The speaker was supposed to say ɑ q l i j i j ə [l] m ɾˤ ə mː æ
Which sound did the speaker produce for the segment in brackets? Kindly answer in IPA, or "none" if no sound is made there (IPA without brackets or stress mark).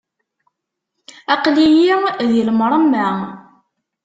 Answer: l